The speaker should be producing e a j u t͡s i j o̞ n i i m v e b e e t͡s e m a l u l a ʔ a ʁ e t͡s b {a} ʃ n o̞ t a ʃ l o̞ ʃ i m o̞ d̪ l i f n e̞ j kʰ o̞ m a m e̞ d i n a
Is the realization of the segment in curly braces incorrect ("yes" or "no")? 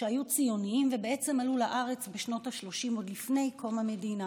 yes